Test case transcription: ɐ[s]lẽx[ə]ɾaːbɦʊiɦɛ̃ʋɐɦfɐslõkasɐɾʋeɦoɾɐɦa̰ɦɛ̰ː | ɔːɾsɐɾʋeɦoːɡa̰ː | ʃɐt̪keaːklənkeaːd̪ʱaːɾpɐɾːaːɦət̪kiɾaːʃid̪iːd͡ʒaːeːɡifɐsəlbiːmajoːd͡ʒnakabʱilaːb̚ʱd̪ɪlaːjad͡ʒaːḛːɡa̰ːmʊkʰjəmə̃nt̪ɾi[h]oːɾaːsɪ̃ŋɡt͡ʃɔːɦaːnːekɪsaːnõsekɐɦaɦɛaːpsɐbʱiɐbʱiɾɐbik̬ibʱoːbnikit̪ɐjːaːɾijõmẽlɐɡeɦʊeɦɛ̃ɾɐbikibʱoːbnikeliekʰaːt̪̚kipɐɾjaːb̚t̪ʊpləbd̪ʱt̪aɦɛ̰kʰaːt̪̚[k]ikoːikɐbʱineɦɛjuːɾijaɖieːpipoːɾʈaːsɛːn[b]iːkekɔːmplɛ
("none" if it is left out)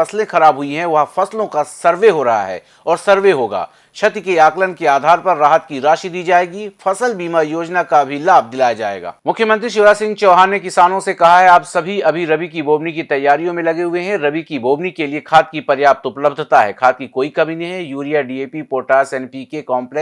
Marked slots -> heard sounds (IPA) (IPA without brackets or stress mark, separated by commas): s, ɐ, ʃ, k, p